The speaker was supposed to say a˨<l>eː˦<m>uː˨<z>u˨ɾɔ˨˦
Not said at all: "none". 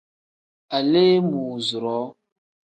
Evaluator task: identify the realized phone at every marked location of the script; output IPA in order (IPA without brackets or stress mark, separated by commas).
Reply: l, m, z